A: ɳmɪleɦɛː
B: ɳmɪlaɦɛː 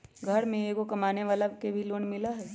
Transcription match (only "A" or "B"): B